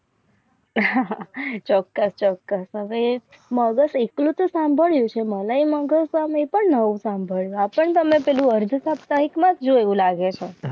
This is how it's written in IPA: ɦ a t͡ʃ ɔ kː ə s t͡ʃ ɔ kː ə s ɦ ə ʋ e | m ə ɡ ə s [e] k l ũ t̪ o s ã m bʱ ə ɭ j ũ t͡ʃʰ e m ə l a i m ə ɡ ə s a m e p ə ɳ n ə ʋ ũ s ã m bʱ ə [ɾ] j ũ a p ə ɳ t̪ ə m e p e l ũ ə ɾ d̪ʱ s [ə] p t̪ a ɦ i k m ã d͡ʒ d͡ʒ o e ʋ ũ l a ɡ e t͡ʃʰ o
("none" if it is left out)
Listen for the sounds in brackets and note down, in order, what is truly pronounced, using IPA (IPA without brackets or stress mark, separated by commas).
e, ɭ, a